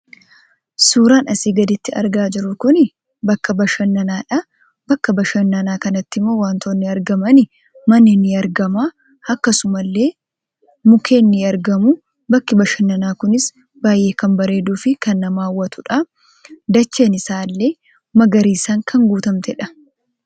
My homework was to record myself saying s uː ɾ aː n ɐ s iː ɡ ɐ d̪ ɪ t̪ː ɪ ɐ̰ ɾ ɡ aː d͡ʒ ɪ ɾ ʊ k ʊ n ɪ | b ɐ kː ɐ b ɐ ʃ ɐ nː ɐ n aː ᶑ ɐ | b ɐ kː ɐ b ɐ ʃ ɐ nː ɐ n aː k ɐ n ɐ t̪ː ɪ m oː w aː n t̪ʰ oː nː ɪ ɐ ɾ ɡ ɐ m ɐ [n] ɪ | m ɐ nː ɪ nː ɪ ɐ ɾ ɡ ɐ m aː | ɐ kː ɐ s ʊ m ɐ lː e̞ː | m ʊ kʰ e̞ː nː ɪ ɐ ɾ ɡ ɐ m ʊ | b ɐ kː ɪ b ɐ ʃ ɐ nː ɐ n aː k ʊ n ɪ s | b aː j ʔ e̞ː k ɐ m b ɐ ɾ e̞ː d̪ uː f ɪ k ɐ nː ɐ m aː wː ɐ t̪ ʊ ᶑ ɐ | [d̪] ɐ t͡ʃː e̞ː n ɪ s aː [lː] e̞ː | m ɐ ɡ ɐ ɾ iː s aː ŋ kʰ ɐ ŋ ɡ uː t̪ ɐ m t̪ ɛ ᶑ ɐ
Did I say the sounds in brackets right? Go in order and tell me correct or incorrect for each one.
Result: correct, correct, correct

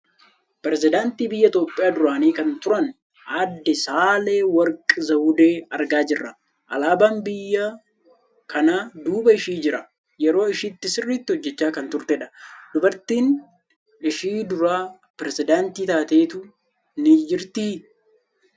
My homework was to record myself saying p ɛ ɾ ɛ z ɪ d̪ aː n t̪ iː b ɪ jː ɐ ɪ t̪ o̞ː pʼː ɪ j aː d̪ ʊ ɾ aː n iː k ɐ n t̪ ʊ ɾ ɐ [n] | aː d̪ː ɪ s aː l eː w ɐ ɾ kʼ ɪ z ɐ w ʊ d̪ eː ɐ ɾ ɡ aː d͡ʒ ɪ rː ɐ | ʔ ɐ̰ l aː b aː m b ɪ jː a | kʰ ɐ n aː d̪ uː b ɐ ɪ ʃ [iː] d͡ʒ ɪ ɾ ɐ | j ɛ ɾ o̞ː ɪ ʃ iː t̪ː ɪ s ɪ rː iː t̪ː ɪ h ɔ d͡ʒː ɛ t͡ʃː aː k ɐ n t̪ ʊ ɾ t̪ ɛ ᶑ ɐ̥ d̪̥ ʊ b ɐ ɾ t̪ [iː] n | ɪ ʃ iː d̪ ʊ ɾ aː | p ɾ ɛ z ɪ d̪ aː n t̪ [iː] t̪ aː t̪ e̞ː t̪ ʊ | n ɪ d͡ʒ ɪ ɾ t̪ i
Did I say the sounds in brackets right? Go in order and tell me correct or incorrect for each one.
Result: correct, correct, correct, correct

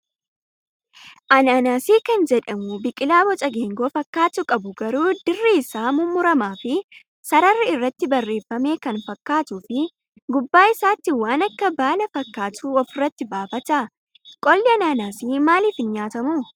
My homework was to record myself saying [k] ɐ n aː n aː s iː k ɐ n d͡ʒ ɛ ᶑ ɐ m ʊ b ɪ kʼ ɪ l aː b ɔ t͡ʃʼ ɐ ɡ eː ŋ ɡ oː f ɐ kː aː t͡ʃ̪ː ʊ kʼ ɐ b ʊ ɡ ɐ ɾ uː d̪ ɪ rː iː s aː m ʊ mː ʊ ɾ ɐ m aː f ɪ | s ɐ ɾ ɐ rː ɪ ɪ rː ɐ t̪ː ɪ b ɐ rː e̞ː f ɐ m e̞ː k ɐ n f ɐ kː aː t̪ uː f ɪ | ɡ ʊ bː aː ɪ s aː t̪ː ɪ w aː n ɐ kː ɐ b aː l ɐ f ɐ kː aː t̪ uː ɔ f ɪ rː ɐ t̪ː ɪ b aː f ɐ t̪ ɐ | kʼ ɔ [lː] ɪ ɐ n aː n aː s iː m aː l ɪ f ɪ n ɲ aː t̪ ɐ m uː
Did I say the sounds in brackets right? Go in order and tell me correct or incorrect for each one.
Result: incorrect: ʔ, correct

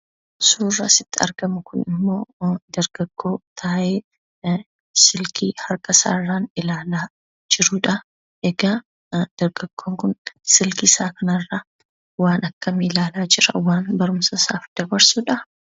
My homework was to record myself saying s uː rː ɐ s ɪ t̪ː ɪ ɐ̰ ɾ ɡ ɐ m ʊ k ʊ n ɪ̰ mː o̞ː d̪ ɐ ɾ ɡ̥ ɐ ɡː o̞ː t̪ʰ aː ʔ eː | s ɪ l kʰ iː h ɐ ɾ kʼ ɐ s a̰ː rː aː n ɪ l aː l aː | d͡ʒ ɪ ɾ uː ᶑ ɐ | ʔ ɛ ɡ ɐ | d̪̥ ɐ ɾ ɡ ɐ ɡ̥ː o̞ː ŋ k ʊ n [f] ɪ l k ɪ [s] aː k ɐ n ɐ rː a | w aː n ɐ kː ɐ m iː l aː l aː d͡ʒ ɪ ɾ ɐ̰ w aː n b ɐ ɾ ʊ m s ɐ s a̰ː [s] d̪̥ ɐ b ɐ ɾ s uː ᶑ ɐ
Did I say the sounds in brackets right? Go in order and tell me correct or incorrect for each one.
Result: incorrect: s, correct, incorrect: f

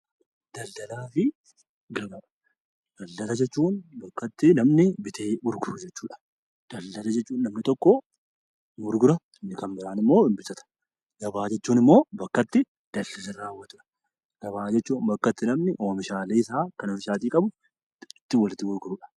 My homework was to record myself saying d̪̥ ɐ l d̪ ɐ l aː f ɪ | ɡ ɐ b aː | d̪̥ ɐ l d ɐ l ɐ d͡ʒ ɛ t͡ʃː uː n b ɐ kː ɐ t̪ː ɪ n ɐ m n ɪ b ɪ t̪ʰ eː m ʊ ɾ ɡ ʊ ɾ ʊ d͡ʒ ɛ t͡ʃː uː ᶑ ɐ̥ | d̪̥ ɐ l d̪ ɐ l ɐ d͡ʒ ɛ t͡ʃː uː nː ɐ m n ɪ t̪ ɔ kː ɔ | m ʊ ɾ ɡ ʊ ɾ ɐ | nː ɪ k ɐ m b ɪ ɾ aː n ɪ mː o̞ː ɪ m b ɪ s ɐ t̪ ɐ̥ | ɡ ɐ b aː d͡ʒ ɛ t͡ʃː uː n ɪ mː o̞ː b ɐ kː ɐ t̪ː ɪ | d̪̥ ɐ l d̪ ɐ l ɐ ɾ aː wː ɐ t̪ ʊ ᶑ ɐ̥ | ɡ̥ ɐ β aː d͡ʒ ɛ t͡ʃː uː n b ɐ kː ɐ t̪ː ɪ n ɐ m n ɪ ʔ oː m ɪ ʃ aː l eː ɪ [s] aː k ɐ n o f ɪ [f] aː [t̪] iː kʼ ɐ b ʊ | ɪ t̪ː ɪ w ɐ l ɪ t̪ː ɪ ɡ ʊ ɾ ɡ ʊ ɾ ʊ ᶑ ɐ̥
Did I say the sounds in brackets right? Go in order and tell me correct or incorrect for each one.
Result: correct, incorrect: ʃ, correct

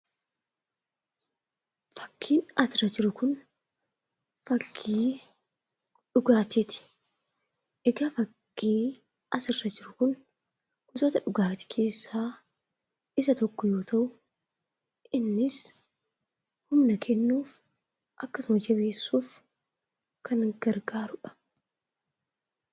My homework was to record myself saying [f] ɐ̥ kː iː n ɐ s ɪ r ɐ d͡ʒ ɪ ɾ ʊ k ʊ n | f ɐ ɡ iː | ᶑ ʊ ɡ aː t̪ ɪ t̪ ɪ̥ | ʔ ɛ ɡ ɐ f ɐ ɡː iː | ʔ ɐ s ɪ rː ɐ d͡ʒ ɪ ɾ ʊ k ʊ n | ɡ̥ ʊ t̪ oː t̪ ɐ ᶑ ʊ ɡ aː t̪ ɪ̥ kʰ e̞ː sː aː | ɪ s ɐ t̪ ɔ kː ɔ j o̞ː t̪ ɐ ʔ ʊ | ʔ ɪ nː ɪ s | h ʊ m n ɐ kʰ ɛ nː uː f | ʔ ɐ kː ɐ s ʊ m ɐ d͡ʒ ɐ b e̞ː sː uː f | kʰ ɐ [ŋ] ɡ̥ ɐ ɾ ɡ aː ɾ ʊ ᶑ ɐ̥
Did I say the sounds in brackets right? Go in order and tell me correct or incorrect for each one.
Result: correct, incorrect: n

